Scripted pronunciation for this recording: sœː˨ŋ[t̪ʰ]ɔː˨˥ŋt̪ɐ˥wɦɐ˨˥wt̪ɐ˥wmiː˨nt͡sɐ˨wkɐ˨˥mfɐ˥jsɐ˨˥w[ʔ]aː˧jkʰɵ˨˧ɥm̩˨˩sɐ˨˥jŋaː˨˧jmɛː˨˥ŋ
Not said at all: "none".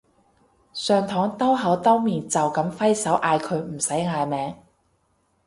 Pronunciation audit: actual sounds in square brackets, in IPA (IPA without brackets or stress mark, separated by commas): t̪ʰ, ʔ